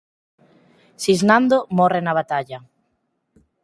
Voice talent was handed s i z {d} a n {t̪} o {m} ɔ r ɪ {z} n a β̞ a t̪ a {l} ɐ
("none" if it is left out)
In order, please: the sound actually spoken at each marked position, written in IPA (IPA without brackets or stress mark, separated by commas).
n, d̪, m, none, ʎ